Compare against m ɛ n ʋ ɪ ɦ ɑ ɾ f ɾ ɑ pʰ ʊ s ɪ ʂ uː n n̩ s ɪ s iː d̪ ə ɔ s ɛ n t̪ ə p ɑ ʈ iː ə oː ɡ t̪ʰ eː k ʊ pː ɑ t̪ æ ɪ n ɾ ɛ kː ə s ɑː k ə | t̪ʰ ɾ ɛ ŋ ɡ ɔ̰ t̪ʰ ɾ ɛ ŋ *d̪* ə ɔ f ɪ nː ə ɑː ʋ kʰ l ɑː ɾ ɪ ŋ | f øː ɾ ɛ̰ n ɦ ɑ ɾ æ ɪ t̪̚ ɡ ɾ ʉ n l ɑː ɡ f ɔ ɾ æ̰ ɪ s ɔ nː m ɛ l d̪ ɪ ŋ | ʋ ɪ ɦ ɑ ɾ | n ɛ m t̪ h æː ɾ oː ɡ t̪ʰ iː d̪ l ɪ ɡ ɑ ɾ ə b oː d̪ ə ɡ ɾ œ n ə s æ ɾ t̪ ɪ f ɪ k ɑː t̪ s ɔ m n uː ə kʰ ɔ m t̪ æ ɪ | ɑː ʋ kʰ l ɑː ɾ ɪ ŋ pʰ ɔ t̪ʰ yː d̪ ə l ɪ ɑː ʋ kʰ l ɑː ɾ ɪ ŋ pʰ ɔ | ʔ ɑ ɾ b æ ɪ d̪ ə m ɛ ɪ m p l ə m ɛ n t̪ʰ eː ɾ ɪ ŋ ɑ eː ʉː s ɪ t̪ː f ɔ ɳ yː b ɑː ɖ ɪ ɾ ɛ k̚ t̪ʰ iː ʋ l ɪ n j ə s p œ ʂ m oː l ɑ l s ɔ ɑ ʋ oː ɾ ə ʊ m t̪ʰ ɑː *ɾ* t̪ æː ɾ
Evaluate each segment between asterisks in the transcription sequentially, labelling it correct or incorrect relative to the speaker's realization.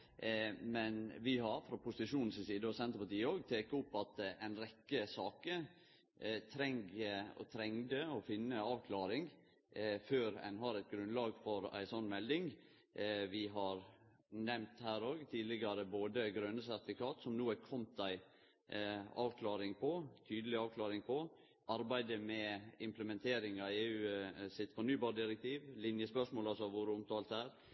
correct, incorrect: l

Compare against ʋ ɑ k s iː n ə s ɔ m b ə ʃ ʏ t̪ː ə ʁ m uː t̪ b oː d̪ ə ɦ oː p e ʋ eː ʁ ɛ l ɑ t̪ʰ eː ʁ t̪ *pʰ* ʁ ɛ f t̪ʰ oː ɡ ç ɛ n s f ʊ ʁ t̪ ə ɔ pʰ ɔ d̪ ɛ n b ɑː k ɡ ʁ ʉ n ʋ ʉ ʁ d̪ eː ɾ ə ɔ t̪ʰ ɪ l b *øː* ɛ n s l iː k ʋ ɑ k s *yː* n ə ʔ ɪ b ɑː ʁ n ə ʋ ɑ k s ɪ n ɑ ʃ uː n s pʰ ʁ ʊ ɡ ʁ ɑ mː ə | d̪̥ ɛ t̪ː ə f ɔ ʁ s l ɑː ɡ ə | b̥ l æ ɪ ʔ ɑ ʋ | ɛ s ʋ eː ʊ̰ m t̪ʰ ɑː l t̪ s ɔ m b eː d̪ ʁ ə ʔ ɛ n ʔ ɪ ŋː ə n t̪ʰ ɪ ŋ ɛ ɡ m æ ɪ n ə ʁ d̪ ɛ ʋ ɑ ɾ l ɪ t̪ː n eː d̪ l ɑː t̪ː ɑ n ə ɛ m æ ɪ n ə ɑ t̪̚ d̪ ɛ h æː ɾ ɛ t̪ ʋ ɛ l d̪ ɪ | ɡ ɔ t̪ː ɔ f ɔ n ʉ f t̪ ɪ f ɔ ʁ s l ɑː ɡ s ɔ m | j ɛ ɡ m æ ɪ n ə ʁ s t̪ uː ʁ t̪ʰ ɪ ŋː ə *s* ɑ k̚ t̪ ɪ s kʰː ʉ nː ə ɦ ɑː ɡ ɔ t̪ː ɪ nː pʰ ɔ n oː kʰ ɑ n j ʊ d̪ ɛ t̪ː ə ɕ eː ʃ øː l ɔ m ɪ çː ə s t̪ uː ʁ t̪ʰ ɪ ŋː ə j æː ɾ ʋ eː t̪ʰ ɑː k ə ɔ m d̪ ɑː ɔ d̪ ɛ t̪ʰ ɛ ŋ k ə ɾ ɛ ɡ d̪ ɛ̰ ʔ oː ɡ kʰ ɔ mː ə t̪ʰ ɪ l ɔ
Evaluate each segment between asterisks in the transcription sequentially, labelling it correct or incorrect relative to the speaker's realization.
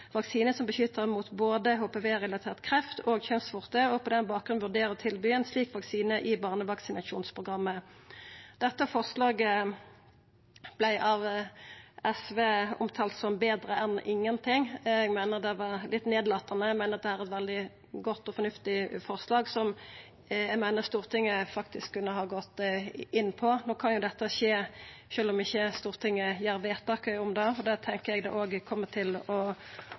incorrect: kʰ, incorrect: yː, incorrect: iː, incorrect: f

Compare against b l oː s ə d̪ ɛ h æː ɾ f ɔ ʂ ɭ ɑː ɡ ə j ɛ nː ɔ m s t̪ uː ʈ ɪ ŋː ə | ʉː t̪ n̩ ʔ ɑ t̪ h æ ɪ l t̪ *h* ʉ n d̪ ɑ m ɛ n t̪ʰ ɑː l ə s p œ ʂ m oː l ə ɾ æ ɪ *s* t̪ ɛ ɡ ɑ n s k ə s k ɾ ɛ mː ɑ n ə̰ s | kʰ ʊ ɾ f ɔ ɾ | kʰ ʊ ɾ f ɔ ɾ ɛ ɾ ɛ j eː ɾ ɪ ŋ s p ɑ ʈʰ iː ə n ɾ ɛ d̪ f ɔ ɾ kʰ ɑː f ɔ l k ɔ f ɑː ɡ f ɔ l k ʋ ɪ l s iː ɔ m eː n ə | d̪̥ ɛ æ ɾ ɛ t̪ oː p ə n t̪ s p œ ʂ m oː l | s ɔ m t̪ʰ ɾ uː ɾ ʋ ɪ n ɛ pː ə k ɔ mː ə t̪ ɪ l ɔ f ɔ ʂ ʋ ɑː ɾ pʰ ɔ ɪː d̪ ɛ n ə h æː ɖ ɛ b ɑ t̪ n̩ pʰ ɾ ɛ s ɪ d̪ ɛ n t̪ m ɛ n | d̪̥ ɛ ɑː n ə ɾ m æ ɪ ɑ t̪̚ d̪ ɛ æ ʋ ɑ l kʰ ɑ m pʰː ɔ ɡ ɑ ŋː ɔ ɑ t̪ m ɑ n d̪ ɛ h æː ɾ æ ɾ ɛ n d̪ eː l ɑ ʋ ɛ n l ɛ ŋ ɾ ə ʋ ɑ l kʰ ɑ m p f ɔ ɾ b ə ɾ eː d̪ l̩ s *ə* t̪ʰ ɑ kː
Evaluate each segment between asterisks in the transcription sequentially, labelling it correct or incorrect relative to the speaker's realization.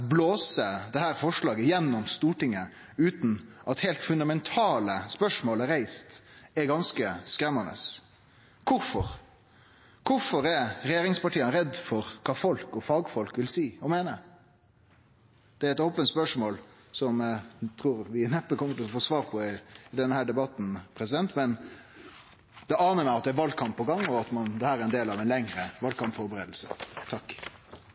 incorrect: f, correct, correct

